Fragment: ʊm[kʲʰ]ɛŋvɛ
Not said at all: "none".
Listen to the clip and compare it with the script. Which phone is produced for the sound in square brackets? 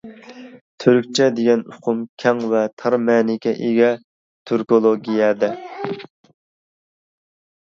kʲʰ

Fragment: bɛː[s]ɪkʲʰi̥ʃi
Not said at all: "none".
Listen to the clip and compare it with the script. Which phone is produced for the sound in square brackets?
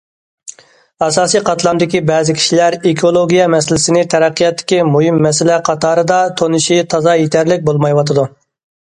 z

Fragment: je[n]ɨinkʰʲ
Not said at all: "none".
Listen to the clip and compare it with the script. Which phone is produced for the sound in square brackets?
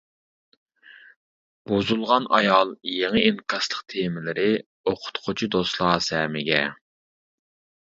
ŋ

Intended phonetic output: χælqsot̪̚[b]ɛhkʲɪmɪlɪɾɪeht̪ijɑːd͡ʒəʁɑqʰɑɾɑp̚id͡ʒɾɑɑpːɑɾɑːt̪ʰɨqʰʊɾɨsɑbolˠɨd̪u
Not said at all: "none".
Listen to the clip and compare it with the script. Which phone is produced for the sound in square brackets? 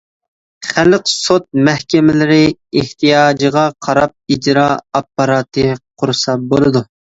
m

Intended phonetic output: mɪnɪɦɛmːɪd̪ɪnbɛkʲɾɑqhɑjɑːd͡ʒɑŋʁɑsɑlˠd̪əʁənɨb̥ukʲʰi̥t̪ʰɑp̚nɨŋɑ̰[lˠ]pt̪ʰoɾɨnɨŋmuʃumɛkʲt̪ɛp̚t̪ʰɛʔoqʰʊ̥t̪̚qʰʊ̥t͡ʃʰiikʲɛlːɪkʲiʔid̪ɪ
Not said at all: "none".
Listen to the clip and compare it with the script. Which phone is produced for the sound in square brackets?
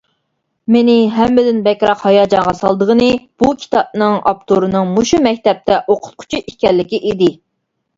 none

